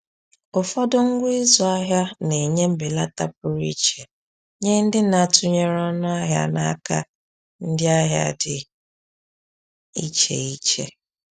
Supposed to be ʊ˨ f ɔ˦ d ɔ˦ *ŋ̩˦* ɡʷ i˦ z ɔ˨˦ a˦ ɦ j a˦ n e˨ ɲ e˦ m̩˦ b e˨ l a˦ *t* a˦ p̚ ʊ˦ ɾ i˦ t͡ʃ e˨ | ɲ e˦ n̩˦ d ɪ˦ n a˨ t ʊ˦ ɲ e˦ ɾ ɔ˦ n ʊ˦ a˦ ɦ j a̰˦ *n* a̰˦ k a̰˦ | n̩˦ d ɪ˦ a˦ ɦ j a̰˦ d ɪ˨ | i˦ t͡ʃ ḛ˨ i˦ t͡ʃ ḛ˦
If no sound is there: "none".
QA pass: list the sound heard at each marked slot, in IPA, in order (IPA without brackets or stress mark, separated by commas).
ŋ̩˦, t, n